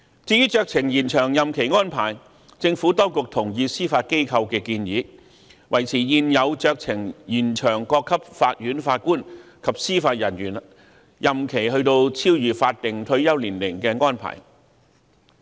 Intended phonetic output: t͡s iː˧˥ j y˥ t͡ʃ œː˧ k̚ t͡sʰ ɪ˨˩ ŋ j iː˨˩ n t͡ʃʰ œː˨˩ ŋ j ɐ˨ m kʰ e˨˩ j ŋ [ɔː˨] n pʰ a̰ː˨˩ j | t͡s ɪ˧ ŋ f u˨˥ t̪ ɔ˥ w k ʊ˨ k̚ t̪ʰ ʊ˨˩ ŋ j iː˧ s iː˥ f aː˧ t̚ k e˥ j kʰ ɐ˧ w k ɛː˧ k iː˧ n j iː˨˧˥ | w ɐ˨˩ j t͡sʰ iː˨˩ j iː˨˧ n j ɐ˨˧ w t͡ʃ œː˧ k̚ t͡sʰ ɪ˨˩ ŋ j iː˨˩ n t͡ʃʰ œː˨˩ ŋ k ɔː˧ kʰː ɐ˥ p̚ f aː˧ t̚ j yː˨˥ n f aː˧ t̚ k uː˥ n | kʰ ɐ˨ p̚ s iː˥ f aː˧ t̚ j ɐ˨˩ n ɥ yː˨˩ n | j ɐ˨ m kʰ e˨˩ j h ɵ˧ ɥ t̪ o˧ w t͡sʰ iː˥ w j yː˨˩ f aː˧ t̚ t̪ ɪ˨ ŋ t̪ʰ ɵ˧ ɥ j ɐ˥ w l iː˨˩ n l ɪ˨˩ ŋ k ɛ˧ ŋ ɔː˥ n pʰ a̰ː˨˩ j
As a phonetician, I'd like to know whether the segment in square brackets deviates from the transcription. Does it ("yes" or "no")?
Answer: yes